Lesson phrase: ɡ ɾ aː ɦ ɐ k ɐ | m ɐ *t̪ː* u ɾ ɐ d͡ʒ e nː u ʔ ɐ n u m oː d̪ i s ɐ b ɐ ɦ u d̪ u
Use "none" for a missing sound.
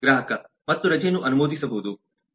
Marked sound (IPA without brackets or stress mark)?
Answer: t̪ː